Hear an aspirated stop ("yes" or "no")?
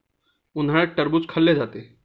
yes